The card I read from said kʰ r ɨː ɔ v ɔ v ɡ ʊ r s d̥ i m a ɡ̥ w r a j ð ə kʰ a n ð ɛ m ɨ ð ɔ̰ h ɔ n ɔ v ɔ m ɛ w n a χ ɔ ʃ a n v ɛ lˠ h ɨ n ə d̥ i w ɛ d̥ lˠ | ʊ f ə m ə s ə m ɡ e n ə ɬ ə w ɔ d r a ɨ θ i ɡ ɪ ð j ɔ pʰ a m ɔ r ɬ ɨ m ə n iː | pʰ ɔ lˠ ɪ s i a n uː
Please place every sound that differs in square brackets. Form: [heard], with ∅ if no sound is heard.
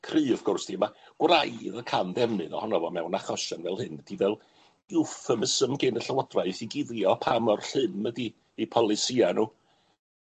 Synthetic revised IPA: kʰ r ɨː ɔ v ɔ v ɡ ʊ r s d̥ i m a ɡ̥ w r a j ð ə kʰ a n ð ɛ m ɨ ð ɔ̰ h ɔ n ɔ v ɔ m ɛ w n a χ ɔ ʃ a n v ɛ lˠ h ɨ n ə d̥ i [v] ɛ [∅] lˠ | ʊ f ə m ə s ə m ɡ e n ə ɬ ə w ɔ d r a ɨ θ i ɡ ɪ ð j ɔ pʰ a m ɔ r ɬ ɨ m ə [d] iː | pʰ ɔ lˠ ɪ s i a n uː